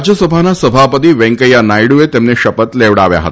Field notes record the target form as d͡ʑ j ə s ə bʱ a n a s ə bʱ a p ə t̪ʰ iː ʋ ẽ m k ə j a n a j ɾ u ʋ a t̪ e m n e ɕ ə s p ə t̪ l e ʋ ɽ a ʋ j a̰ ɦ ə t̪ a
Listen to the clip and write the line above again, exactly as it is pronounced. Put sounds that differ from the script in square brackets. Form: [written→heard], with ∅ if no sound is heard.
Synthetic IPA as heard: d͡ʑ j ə s ə bʱ a n a s ə bʱ a p ə [t̪ʰ→t̪] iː ʋ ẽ [m→ŋ] k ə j a n a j [ɾ→ɽ] u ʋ [a→e] t̪ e m n e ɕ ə [s→∅] p ə t̪ l e ʋ ɽ a ʋ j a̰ ɦ ə t̪ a